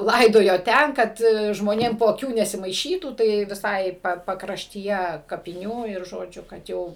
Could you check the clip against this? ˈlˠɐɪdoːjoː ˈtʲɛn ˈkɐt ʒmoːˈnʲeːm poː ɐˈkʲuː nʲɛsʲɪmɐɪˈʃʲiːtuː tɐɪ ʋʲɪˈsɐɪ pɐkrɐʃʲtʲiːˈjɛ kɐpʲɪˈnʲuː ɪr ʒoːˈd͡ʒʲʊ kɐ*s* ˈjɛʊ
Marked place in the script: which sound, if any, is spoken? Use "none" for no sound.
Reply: t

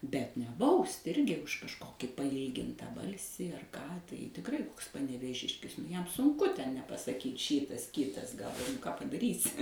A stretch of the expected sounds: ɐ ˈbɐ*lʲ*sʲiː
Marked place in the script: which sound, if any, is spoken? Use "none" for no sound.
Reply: lʲ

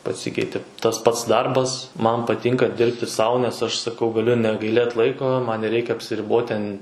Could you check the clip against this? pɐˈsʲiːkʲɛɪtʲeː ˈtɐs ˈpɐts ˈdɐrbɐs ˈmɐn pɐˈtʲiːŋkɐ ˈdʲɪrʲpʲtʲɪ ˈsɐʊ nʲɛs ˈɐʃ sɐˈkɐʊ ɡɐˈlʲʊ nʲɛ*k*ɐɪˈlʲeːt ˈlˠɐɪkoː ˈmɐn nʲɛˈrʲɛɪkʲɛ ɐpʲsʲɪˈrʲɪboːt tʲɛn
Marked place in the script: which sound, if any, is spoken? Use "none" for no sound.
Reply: ɡ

